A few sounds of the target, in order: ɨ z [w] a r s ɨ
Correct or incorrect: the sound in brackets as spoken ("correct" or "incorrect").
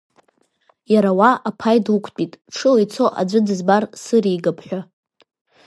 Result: incorrect